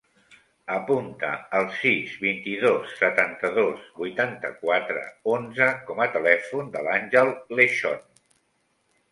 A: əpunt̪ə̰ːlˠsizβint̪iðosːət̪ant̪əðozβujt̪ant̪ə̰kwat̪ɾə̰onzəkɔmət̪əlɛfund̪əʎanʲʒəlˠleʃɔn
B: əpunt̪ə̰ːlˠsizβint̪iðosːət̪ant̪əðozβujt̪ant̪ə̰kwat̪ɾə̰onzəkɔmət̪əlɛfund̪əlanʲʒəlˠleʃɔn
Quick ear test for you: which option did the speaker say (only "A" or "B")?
B